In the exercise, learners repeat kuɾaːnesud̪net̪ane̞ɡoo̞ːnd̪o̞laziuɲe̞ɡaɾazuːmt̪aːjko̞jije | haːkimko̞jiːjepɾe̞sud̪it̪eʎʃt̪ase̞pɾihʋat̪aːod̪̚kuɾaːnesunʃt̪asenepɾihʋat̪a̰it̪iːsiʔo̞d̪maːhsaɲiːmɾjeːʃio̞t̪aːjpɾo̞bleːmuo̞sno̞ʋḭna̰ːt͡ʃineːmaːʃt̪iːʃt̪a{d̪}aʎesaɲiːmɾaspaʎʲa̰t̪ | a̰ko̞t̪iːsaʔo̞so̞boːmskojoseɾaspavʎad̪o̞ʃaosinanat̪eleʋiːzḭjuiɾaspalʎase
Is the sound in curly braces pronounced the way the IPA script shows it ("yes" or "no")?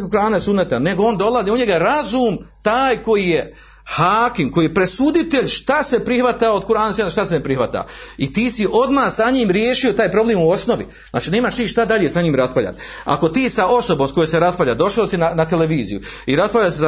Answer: yes